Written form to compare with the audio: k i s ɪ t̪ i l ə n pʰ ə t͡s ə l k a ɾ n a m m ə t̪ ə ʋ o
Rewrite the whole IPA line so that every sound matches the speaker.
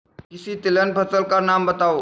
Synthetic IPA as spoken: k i s i t̪ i l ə n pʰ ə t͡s ə l k a ɾ n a m b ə t̪ a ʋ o